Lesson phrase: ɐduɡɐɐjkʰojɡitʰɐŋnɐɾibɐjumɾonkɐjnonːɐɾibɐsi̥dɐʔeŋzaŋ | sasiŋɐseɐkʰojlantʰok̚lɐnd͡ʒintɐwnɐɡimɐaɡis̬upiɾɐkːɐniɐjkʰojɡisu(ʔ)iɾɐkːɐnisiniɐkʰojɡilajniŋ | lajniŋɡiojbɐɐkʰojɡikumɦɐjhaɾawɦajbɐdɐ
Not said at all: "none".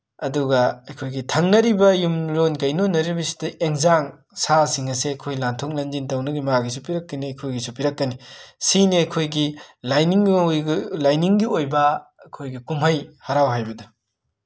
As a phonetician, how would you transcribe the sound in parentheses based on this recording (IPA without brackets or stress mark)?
p